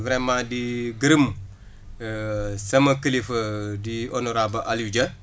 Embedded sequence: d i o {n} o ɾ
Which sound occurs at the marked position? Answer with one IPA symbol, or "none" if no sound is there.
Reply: n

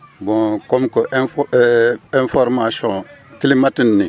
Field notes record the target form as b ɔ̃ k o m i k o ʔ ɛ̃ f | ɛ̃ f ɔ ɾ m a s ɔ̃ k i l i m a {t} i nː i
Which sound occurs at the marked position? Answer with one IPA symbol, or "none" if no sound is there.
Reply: t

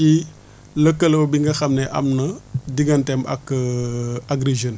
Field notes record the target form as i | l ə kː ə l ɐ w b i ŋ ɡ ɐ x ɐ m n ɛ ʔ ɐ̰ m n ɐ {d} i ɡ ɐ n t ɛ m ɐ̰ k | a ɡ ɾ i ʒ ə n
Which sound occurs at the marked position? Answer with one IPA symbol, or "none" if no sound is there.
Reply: d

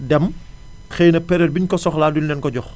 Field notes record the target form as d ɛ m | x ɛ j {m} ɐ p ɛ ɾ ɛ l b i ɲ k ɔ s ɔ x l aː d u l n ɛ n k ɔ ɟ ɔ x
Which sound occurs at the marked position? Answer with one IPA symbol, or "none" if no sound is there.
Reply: n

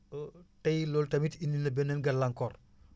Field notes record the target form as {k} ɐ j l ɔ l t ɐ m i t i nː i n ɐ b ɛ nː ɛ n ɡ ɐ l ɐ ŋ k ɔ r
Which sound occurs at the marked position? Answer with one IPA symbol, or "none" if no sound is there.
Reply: t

